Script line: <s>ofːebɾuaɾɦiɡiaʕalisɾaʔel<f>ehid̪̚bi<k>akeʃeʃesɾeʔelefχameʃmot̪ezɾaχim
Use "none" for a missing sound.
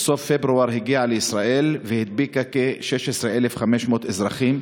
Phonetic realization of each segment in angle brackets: s, v, k

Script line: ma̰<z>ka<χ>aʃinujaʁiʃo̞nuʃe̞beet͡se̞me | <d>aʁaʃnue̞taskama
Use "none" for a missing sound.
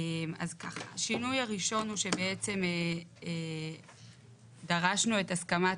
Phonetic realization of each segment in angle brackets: z, χ, d

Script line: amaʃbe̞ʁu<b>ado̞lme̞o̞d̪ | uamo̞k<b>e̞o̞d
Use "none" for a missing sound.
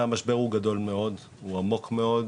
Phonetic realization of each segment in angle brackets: ɡ, m

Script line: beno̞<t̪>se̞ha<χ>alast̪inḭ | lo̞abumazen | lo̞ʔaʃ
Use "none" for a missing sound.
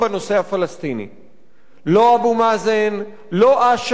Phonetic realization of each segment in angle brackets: none, f

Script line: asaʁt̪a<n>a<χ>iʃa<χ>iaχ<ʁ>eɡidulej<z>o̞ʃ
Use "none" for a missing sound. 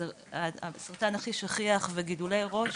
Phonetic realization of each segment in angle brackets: n, χ, χ, v, ʁ

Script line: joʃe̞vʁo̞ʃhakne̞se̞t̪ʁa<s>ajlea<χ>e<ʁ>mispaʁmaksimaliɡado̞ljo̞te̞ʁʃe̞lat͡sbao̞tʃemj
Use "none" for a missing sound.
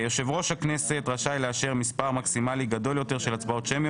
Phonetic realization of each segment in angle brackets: ʃ, ʃ, ʁ

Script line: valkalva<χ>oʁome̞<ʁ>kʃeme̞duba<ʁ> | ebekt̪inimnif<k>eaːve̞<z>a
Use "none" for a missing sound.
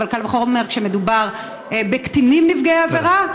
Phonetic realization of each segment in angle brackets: χ, ʁ, ʁ, ɡ, ʁ

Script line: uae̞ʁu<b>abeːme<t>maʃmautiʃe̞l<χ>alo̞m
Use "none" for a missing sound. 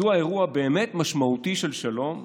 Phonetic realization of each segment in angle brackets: none, t, ʃ

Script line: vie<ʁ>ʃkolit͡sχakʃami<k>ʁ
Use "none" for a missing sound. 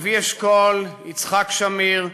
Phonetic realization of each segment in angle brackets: none, none

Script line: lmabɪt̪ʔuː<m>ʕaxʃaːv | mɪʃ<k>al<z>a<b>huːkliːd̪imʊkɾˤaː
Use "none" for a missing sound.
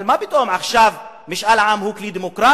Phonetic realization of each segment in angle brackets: m, ʔ, ʕ, m

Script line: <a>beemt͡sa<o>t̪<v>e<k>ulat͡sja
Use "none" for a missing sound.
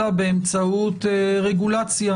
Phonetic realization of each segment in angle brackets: a, u, ʁ, ɡ

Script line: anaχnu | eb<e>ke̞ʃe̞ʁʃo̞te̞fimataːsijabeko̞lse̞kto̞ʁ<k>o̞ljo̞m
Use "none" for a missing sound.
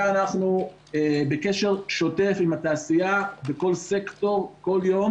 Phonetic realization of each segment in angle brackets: e, k

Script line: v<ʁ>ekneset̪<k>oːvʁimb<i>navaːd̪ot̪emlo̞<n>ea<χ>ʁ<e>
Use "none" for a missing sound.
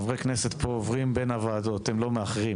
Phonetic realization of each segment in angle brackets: ʁ, p, e, m, χ, i

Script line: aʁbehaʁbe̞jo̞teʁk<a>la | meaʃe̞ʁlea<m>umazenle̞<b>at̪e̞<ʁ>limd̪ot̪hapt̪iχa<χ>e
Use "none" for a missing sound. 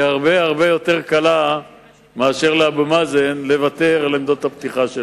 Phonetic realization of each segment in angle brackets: a, b, v, ʁ, ʃ

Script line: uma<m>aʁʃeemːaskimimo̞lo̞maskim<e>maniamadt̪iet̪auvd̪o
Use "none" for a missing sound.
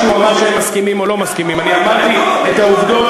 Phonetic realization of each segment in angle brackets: m, i

